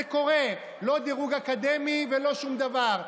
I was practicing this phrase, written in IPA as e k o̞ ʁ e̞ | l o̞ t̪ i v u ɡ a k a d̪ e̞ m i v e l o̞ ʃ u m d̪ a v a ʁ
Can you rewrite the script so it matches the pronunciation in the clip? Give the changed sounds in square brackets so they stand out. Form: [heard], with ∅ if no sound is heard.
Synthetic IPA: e k o̞ ʁ e̞ | l o̞ [d̪] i [ʁ] u ɡ a k a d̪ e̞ m i v e l o̞ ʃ u m d̪ a v a ʁ